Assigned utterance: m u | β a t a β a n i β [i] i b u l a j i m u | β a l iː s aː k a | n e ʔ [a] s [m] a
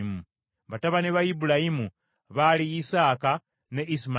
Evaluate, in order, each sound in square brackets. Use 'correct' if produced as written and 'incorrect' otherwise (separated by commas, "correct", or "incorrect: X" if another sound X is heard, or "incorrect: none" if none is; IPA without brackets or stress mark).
incorrect: a, incorrect: i, correct